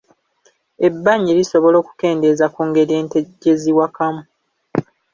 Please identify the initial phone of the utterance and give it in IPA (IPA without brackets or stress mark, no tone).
e̞